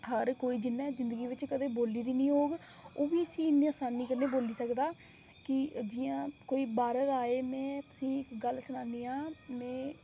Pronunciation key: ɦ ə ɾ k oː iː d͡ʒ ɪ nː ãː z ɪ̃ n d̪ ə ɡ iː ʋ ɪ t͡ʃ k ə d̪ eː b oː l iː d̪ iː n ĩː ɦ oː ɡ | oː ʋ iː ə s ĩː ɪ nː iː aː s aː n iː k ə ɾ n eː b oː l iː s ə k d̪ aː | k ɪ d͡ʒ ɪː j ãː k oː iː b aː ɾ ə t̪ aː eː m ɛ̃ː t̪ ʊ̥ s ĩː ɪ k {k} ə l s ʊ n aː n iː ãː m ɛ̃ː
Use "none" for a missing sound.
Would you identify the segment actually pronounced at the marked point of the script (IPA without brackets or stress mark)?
ɡ